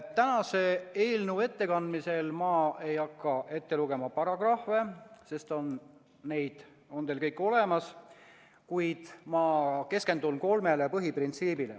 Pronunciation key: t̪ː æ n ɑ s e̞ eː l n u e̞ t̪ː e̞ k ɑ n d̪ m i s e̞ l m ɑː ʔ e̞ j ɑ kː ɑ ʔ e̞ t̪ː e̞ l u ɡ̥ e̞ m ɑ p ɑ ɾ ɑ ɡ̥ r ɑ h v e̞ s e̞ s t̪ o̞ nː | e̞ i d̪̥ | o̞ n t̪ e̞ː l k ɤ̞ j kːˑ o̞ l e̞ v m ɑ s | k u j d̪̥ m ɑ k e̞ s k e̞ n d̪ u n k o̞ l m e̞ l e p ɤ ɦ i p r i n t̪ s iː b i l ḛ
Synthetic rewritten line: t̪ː æ n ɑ s e̞ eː l n u e̞ t̪ː e̞ k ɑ n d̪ m i s e̞ l m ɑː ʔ e̞ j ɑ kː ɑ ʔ e̞ t̪ː e̞ l u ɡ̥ e̞ m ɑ p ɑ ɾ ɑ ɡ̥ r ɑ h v e̞ s e̞ s t̪ o̞ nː | e̞ j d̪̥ | o̞ n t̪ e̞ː l k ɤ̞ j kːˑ o̞ l e̞ m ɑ s | k u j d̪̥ m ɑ k e̞ s k e̞ n d̪ u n k o̞ l m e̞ l e p ɤ ɦ i p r i n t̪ s iː b i l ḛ

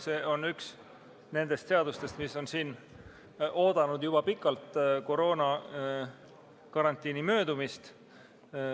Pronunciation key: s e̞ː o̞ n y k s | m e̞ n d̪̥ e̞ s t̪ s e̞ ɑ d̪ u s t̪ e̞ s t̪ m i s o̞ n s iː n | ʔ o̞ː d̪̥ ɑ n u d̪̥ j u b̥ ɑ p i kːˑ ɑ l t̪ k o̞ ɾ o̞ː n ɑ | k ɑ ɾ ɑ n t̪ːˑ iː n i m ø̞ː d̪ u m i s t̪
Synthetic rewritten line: s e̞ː o̞ n y k s | n e̞ n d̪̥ e̞ s t̪ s e̞ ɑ d̪ u s t̪ e̞ s t̪ m i s o̞ n s iː n | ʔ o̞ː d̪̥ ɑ n u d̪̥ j u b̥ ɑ p i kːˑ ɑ l t̪ k o̞ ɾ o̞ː n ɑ | k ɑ ɾ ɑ n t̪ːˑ iː n i m ø̞ː d̪ u m i s t̪

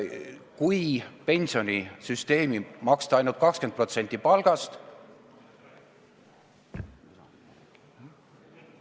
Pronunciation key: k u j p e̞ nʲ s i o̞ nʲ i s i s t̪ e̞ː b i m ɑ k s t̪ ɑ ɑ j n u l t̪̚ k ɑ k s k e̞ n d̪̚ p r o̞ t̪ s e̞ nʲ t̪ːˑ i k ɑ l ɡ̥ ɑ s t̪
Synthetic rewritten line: k u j p e̞ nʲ s i o̞ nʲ i s y s t̪ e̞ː m i m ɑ k s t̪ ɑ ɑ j n u l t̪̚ k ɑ k s k e̞ n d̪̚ p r o̞ t̪ s e̞ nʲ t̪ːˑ i p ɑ l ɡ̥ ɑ s t̪

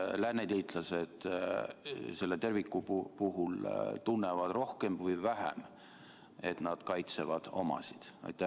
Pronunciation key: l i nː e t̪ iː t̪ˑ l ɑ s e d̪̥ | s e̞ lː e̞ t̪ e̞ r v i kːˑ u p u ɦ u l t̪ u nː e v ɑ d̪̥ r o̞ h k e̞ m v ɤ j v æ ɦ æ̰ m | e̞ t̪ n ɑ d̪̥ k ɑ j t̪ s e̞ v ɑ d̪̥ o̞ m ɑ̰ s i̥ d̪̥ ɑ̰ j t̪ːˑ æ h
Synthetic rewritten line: l æ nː e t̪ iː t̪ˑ l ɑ s e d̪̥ | s e̞ lː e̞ t̪ e̞ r v i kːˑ u p u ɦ u l t̪ u nː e v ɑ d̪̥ r o̞ h k e̞ m v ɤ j v æ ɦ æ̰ m | e̞ t̪ n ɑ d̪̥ k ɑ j t̪ s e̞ v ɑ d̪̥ o̞ m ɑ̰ s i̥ d̪̥ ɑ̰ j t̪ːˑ æ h

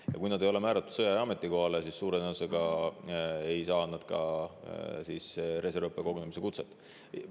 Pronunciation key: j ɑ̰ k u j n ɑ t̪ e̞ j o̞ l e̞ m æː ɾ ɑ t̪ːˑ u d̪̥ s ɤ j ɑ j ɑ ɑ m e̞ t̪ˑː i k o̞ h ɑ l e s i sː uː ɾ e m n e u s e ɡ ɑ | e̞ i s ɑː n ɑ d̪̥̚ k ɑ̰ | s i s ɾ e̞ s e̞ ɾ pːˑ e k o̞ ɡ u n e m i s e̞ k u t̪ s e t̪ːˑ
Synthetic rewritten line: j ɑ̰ k u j n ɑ d̪ e̞ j o̞ l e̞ m æː ɾ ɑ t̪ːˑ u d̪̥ s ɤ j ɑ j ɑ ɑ m e̞ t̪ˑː i k o̞ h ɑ l e s i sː uː ɾ e n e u s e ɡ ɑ | e̞ j s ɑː n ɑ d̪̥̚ k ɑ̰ | s i s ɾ e̞ s e̞ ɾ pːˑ e k o̞ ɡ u n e m i s e̞ k u t̪ s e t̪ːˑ

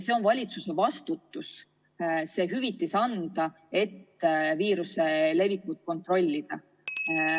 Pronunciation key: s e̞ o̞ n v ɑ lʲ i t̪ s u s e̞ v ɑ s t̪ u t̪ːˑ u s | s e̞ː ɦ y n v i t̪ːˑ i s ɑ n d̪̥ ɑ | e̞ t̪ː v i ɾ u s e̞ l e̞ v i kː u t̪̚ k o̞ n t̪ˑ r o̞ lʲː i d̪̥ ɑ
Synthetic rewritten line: s e̞ o̞ n v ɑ lʲ i t̪ s u s e̞ v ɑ s t̪ u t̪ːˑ u s | s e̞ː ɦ y v i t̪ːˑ i s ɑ n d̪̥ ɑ | e̞ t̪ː v iː ɾ u s e̞ l e̞ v i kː u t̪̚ k o̞ n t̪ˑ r o̞ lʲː i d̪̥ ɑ

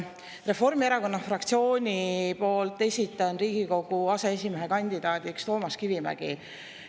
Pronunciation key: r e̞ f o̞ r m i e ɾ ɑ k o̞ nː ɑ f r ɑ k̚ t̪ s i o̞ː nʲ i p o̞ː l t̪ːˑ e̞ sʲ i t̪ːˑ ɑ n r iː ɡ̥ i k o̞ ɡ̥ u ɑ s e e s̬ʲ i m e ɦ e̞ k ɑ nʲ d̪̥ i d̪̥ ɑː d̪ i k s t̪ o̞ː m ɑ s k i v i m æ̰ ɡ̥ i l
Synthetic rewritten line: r e̞ f o̞ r m i e ɾ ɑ k o̞ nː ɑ f r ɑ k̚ t̪ s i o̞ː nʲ i p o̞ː l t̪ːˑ e̞ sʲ i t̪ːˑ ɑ n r iː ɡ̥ i k o̞ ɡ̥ u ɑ s e e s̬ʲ i m e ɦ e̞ k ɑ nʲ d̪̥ i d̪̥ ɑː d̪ i k s t̪ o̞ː m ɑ s k i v i m æ̰ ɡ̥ i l

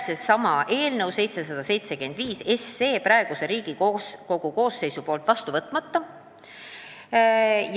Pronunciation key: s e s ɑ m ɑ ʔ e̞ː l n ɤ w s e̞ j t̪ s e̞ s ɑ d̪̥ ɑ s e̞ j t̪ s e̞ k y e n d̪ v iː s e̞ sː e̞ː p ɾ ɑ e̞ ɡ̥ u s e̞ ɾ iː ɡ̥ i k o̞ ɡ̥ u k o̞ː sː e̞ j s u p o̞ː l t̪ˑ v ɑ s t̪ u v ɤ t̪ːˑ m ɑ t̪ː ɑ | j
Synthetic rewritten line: s e s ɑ m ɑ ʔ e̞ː l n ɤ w s e̞ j t̪ s e̞ s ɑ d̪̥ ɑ s e̞ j t̪ s e̞ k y e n d̪ v iː s e̞ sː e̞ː p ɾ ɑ e̞ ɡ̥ u s e̞ ɾ iː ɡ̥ i k o̞ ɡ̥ u k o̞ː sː e̞ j s u p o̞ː l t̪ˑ v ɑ s t̪ u v ɤ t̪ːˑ m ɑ t̪ː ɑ | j

